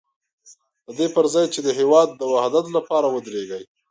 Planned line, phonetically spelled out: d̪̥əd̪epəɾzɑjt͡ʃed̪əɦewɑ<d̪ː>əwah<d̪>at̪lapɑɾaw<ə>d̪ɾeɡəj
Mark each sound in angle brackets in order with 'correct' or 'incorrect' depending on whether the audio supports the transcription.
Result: correct, correct, correct

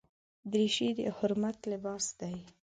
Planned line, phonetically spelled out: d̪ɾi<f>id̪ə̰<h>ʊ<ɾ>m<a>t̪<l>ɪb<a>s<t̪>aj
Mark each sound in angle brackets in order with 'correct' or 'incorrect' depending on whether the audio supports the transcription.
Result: incorrect: ʃ, correct, correct, correct, correct, incorrect: ɑ, incorrect: d̪

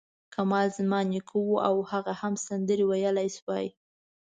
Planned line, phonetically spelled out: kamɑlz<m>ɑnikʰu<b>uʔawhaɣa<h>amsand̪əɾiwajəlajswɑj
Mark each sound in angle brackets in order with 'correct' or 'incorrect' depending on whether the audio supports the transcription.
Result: correct, incorrect: w, correct

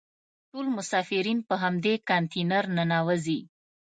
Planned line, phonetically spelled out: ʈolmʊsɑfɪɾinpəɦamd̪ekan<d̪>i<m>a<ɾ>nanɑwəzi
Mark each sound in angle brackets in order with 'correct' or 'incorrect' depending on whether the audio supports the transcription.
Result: incorrect: t̪, incorrect: n, correct

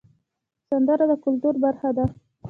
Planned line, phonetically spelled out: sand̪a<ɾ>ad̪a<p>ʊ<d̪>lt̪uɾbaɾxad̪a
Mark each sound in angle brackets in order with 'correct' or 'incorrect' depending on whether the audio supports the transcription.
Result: correct, incorrect: k, incorrect: none

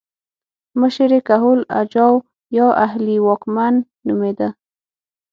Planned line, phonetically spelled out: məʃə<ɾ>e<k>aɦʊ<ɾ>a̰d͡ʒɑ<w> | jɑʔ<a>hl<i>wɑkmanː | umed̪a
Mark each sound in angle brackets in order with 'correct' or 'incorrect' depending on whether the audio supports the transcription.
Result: correct, correct, incorrect: l, correct, correct, correct

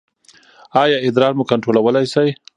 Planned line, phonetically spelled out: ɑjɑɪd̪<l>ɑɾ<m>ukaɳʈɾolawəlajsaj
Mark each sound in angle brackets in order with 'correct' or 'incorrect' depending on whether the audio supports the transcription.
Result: incorrect: ɾ, correct

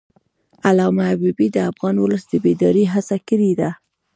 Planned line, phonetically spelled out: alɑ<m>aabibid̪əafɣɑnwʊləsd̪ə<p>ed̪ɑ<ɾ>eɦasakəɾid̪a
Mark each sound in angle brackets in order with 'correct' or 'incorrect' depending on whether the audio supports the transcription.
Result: correct, incorrect: b, correct

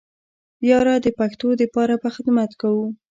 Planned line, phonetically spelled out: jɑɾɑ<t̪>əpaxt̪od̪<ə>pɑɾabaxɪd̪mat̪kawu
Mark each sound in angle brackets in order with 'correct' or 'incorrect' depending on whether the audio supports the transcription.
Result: incorrect: d̪, correct

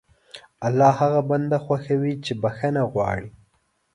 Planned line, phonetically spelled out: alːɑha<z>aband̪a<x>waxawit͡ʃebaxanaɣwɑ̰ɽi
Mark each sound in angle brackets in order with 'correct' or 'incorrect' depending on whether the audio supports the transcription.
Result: incorrect: ɣ, correct

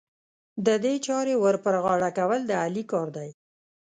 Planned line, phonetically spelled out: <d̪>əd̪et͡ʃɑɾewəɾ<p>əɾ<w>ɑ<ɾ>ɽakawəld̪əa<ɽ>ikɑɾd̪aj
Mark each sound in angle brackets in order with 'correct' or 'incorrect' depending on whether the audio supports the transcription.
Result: correct, correct, incorrect: ɣ, incorrect: none, incorrect: l

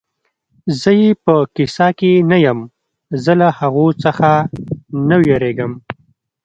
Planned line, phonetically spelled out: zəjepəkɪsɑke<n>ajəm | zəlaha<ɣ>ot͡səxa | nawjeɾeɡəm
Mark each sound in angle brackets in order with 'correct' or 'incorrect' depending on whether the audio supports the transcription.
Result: correct, correct

